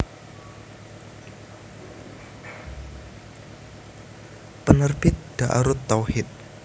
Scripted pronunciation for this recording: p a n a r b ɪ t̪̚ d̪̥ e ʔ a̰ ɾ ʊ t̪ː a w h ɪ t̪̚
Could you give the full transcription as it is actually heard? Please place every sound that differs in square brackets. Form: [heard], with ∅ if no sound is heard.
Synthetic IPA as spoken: p [ə] n [ə] r b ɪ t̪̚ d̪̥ [a] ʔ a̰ ɾ ʊ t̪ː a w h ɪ t̪̚